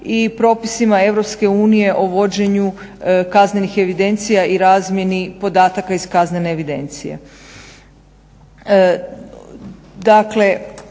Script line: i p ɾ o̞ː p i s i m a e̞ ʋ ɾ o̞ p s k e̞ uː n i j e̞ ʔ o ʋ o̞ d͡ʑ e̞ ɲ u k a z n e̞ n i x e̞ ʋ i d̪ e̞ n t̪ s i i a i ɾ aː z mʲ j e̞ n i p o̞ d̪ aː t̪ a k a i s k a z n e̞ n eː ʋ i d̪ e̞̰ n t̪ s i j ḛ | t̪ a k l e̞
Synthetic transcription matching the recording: i p ɾ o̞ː p i s i m a e̞ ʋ ɾ o̞ p s k e̞ uː n i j e̞ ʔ o ʋ o̞ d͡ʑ e̞ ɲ u k a z n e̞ n i x e̞ ʋ i d̪ e̞ n t̪ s i j a i ɾ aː z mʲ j e̞ n i p o̞ d̪ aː t̪ a k a i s k a z n e̞ n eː ʋ i d̪ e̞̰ n t̪ s i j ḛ | d̪ a k l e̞